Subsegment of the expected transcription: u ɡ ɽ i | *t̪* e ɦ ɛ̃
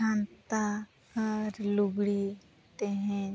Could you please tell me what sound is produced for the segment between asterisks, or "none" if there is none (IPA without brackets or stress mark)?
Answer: t̪